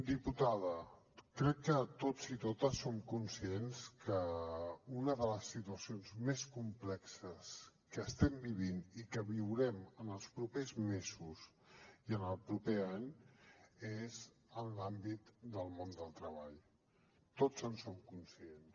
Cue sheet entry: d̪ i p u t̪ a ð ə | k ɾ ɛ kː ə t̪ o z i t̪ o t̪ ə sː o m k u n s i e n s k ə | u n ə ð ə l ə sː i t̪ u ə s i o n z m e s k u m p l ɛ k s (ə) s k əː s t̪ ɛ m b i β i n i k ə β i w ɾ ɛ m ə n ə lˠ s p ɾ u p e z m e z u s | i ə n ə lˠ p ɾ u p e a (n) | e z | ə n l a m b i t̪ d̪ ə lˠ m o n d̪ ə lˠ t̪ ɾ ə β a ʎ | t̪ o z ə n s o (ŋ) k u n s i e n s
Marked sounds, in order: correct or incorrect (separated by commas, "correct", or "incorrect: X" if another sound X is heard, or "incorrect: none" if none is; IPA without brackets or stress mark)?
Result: correct, incorrect: ɲ, incorrect: m